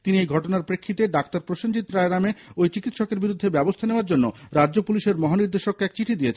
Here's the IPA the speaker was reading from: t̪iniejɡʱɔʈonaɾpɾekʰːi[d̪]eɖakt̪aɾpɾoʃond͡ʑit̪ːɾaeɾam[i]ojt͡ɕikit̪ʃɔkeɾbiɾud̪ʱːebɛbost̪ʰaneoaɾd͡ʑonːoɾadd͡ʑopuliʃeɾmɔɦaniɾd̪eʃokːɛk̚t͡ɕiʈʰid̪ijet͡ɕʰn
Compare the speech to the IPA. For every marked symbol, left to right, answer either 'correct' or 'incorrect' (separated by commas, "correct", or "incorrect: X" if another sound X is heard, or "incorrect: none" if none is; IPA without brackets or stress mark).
incorrect: t̪, incorrect: e